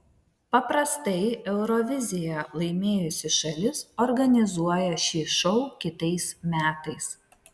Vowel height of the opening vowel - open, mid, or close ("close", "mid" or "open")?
open